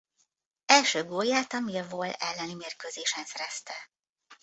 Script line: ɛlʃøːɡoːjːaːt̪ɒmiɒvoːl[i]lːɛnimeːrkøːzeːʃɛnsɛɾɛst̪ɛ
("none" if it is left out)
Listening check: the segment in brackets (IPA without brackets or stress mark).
ɛ